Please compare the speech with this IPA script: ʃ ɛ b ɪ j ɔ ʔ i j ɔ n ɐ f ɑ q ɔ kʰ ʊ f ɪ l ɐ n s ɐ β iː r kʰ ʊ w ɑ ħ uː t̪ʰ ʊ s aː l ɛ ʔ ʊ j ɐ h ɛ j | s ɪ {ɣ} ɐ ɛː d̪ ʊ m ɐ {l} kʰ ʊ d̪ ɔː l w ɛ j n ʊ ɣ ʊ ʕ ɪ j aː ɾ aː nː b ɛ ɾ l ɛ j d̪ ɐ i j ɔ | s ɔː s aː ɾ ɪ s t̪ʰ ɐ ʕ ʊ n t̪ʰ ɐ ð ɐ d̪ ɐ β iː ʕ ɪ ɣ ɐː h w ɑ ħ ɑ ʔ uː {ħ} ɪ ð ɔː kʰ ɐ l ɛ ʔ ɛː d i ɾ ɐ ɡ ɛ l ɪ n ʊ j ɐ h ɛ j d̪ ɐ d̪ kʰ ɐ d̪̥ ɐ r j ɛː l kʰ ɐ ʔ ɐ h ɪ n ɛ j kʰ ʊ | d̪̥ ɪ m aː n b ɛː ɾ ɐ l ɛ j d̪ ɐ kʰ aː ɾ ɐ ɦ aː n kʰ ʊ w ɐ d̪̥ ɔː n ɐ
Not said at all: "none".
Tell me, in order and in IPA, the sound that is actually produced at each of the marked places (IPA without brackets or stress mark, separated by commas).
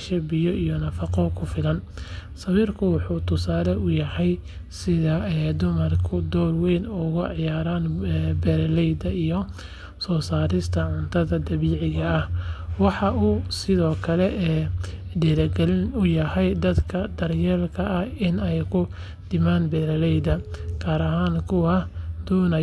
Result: ð, r, s